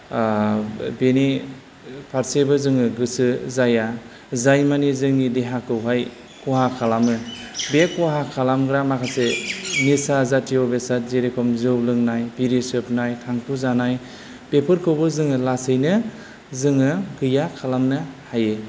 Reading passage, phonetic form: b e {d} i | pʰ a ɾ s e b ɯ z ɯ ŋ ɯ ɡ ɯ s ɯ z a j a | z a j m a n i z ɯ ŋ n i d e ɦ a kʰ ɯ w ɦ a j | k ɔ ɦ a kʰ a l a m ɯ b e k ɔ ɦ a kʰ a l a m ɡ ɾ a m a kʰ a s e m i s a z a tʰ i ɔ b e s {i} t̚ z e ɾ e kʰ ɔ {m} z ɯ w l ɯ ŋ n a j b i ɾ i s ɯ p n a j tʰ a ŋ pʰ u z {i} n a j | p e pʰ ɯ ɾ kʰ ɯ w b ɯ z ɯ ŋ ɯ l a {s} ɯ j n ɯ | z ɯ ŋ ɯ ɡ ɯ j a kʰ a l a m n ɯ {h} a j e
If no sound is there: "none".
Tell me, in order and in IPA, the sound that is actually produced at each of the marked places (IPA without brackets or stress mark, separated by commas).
n, a, m, a, s, h